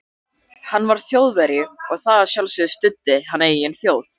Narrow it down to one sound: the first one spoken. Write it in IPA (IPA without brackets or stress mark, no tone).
h